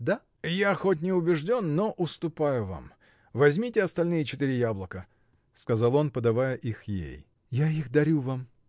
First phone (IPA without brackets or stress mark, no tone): d̪